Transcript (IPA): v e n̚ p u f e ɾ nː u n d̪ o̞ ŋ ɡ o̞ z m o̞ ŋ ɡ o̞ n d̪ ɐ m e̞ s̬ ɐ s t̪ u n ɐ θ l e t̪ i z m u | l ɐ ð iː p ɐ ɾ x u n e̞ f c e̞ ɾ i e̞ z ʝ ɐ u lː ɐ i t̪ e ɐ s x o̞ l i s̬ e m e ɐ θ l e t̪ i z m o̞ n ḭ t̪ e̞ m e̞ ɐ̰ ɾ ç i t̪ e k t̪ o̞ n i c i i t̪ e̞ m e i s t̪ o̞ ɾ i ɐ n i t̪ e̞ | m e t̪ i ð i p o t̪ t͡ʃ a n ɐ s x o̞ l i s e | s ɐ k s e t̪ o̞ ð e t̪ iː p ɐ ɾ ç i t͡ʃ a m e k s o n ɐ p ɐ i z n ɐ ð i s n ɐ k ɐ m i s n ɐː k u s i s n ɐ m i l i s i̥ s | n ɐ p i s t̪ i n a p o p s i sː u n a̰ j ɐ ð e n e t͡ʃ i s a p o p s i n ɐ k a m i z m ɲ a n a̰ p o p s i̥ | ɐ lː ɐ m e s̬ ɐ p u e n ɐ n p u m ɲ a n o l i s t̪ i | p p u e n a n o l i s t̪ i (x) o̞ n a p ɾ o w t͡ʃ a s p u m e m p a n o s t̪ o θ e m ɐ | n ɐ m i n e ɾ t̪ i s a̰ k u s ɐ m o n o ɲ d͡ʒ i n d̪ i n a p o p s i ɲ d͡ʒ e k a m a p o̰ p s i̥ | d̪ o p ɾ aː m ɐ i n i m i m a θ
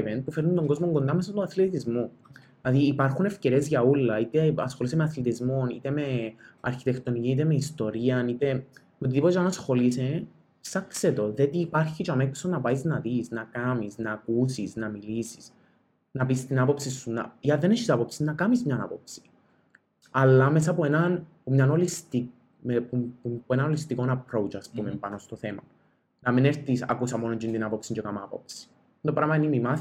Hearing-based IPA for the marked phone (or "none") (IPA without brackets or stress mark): k